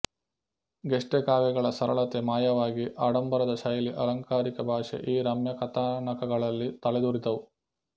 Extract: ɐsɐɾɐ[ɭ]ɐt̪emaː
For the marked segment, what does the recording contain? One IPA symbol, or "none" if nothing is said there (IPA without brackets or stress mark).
ɭ